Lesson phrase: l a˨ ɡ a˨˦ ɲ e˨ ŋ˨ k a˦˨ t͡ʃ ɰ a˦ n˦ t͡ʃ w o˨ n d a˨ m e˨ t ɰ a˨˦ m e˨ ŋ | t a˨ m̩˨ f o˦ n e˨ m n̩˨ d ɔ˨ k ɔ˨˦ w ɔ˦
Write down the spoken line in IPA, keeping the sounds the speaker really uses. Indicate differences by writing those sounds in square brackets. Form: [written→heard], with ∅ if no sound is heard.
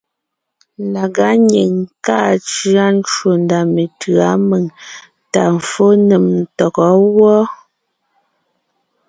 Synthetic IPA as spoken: l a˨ ɡ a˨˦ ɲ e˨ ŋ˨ k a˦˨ t͡ʃ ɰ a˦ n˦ t͡ʃ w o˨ n d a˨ m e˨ t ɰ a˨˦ m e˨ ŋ | t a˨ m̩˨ f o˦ n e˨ m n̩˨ [d→t] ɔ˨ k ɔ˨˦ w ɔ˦

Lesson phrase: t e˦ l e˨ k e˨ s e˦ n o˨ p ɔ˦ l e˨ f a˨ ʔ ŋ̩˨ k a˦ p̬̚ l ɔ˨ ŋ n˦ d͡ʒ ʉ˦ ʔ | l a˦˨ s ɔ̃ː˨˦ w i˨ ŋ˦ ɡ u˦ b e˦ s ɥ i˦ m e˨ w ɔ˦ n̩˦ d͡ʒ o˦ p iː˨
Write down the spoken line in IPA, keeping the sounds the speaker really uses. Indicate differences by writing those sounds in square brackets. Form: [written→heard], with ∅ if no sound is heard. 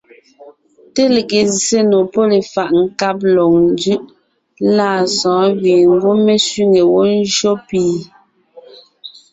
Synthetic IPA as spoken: t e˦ l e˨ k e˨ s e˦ n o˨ p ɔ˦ l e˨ f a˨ ʔ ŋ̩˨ k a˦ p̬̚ l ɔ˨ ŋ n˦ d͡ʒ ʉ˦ ʔ | l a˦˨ s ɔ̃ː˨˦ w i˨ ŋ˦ ɡ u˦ [b→m] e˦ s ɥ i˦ [m→ŋ] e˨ w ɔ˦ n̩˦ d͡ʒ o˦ p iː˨

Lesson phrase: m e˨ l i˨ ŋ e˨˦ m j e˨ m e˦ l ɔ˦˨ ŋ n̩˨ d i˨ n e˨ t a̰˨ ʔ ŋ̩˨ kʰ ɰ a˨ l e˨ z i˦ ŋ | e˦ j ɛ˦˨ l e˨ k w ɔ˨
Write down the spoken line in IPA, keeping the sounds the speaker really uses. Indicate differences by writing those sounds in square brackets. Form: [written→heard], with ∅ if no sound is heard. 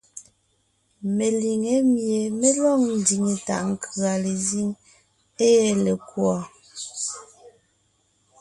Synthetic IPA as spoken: m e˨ l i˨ ŋ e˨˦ m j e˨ m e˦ l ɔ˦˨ ŋ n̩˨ d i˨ [n→ŋ] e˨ t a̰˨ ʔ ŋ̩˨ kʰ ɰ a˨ l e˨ z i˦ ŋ | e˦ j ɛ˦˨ l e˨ k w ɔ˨

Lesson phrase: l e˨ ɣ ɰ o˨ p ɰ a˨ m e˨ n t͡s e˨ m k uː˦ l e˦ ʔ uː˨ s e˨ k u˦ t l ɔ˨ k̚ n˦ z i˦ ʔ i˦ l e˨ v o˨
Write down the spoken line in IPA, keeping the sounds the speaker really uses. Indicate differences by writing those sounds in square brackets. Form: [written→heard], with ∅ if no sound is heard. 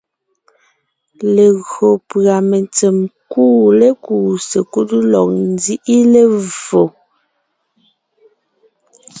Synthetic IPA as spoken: l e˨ ɣ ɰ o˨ p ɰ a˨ m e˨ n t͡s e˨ m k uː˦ l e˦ [ʔ→k] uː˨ s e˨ k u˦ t l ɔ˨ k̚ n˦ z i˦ ʔ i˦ l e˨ v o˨

